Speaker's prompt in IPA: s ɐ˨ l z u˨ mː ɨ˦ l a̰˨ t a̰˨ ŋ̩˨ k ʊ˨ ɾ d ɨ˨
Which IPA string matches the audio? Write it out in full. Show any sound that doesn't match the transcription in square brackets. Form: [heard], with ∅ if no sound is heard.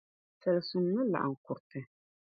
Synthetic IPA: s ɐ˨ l [s] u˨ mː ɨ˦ l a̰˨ [ʔ] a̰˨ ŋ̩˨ k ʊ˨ ɾ [t] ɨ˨